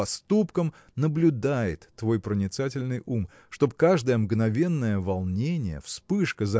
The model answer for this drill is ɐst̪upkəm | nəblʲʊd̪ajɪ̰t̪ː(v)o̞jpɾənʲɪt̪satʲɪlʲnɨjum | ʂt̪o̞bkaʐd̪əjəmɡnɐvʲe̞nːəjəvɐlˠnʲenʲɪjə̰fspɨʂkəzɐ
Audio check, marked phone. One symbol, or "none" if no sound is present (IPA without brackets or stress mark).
v